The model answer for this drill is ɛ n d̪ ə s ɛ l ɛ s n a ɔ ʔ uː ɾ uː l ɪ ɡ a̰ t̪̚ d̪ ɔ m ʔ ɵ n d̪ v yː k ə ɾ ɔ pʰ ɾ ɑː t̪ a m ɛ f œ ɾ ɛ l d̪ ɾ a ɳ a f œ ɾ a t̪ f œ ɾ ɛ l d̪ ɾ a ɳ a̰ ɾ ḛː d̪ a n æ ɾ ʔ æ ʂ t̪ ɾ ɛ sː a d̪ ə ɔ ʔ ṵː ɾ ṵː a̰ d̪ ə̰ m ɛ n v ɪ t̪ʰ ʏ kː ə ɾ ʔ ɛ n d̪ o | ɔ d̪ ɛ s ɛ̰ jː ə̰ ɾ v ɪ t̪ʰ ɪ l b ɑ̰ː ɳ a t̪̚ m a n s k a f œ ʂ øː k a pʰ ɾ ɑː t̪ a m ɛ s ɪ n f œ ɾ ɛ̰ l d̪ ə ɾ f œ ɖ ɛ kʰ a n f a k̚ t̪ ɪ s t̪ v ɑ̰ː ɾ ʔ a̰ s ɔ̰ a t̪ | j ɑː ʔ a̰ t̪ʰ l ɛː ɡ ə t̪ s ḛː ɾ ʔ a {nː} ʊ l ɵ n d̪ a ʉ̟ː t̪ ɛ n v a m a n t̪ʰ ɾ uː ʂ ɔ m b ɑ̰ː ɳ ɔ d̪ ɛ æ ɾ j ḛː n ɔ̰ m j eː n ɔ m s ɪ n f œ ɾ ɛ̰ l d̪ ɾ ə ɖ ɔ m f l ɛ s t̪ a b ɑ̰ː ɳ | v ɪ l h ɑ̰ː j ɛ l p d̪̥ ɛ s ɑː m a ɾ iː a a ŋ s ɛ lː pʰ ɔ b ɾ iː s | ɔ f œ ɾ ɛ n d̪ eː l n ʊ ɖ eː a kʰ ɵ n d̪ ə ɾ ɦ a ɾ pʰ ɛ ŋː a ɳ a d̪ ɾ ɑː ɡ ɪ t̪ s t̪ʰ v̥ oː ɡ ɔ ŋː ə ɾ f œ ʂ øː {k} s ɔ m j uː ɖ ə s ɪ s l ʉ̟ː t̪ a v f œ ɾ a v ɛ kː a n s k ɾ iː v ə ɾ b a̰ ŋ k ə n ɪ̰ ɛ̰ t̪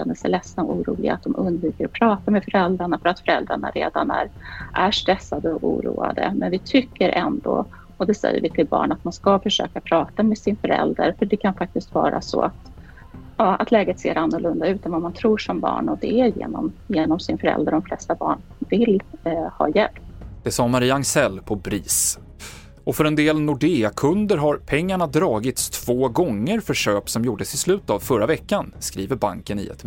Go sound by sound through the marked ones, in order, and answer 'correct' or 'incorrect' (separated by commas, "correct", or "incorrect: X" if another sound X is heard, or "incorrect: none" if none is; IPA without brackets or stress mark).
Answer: correct, incorrect: p